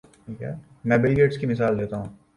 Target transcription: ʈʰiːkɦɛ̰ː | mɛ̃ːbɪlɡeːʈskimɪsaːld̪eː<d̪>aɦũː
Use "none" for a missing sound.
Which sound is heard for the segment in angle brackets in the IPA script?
t̪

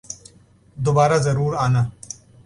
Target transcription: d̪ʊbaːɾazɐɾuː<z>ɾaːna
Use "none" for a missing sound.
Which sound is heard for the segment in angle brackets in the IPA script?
none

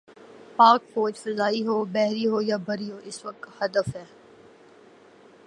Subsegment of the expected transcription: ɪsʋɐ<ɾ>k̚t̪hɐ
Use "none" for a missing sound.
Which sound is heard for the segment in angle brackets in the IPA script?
none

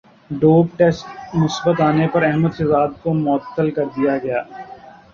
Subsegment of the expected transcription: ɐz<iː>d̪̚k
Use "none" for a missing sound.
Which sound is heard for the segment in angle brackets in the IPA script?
aː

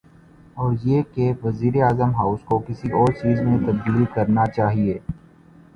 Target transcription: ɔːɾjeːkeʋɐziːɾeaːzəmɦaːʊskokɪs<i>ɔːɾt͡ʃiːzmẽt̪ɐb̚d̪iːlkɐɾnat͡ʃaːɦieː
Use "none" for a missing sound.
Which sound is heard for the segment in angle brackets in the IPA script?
i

